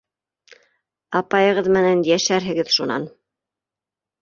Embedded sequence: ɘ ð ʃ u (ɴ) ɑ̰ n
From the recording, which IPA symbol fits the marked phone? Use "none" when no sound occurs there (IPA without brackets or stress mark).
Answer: n